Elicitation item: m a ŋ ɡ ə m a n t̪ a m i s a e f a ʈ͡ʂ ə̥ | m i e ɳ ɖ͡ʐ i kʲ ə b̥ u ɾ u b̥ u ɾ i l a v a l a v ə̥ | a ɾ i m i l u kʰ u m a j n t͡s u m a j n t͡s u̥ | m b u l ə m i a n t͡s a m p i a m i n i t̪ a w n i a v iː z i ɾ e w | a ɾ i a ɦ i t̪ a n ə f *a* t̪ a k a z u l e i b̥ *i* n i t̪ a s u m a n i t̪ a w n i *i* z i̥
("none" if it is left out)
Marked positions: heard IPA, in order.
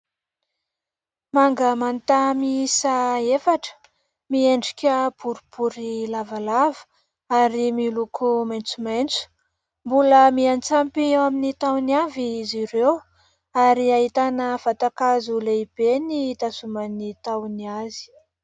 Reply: a, e, a

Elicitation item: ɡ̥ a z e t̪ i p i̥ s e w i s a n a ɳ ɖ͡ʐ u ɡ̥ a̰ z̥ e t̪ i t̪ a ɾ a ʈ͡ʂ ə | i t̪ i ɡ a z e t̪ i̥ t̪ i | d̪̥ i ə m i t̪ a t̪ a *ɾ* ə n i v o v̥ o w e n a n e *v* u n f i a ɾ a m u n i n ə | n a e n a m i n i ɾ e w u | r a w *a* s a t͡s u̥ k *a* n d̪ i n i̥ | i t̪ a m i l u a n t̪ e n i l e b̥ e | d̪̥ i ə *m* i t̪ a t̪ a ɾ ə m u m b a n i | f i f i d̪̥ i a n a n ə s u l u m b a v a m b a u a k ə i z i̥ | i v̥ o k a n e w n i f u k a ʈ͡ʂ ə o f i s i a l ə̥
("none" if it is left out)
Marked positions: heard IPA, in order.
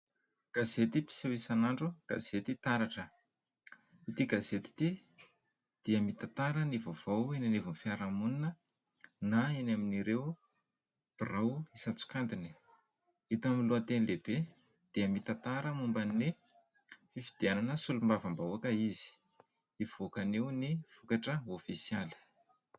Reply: ɾ, v, i, a, m

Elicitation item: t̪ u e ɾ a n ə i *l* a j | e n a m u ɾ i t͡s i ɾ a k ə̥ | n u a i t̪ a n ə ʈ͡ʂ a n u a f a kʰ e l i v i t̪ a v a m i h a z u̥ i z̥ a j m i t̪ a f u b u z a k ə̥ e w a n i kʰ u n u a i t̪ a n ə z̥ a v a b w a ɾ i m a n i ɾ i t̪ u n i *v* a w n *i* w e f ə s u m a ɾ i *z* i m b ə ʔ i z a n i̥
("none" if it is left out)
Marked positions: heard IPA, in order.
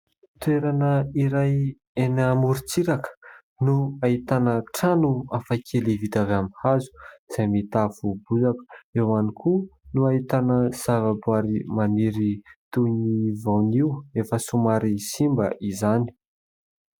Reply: ɾ, v, i, s

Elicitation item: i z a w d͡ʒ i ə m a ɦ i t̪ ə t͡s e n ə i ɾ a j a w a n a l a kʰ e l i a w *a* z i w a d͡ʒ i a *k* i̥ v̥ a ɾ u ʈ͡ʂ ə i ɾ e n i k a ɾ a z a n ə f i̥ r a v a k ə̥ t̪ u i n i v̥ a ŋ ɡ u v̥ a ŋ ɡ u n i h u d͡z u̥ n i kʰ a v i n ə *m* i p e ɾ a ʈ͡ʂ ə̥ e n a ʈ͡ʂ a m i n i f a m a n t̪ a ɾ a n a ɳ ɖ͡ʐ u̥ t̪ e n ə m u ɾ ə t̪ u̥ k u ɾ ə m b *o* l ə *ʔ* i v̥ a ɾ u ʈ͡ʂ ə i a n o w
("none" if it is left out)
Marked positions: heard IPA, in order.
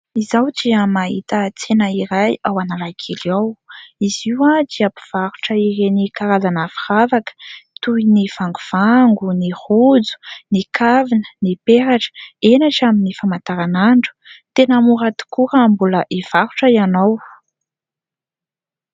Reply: i, p, n, u, ʔ

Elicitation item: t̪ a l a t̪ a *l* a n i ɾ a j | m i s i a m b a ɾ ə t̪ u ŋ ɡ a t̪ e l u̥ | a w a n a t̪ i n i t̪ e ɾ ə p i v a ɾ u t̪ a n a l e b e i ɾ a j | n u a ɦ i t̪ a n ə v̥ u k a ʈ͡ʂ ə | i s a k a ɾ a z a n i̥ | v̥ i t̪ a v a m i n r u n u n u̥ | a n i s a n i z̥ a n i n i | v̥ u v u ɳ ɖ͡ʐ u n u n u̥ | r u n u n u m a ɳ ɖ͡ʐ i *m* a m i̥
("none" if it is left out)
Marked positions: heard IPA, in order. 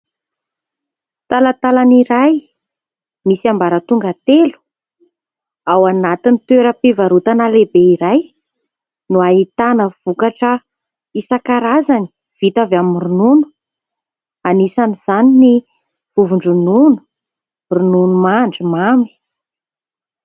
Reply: l, m

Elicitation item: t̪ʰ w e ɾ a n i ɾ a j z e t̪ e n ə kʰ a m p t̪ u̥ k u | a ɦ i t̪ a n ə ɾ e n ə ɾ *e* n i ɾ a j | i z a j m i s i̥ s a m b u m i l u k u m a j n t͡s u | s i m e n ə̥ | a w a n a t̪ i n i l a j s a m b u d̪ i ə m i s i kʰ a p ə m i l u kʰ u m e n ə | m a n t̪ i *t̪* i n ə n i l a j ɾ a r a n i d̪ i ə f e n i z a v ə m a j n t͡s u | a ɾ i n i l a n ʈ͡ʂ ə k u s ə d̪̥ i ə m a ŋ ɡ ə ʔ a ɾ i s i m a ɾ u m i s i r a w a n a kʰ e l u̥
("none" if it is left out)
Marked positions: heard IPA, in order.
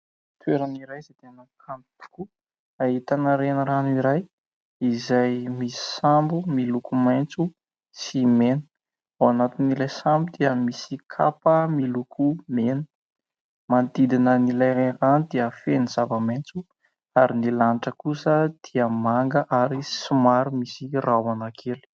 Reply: a, d̪

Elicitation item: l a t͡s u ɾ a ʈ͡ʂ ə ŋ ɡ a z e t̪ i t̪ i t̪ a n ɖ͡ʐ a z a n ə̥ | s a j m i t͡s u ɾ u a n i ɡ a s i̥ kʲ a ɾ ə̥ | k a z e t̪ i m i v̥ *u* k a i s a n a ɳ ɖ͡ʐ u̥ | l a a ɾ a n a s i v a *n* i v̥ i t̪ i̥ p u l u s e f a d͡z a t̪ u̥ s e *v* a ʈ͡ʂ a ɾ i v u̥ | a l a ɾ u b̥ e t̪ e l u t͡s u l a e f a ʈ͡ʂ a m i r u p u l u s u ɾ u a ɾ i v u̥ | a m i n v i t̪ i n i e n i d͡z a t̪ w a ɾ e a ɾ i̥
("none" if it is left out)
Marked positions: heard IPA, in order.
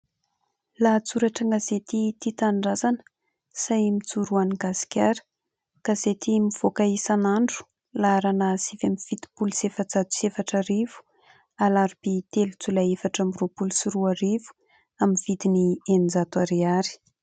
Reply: o, m, f

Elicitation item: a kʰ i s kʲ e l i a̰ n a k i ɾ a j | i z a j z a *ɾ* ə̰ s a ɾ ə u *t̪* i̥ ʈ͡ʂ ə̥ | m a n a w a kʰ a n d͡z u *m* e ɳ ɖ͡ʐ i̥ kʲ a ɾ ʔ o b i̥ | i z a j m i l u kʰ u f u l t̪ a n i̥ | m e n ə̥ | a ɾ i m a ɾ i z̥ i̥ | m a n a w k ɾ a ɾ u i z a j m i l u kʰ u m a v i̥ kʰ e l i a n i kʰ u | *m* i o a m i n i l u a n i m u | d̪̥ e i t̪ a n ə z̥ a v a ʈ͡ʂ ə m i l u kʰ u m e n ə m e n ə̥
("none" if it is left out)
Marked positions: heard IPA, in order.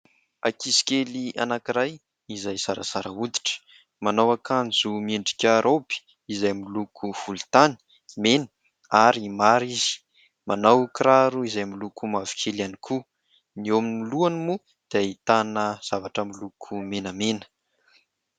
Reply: ɾ, d̪, m, n

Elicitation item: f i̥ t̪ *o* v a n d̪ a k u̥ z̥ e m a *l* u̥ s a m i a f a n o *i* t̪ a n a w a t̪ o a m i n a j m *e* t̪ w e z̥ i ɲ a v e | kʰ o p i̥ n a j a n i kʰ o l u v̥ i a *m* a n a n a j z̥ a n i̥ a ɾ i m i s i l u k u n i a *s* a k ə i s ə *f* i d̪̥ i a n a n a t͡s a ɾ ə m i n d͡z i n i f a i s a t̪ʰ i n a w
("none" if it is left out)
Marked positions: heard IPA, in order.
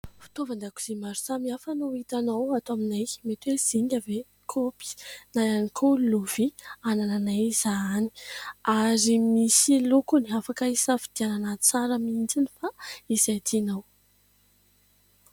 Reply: o, ɾ, i, e, n, f, f

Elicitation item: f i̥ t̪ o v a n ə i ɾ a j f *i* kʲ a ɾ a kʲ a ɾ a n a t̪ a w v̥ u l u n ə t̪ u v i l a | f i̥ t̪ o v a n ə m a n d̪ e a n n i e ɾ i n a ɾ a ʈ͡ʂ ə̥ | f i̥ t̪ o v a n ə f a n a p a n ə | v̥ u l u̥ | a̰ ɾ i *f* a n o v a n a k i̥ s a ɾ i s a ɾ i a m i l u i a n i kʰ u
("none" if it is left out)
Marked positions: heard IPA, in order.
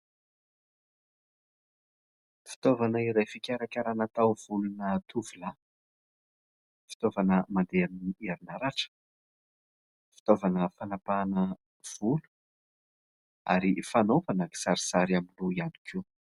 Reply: i, f

